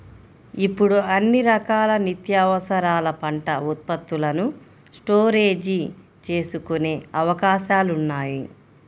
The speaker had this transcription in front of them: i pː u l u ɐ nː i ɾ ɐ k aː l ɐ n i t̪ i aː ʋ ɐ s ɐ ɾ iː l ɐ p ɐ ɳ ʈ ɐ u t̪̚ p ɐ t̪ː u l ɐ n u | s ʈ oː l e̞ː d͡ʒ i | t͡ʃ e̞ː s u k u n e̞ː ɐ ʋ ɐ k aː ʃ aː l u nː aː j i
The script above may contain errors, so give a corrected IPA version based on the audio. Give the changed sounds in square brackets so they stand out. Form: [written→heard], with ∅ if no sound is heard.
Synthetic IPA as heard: i pː u [l→ɽ] u ɐ nː i ɾ ɐ k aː l ɐ n i t̪ [i→j] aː ʋ ɐ s ɐ ɾ [iː→aː] l ɐ p ɐ ɳ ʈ ɐ u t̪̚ p ɐ t̪ː u l ɐ n u | s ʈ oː [l→ɾ] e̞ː d͡ʒ i | t͡ʃ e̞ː s u k u n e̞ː ɐ ʋ ɐ k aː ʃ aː l u nː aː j i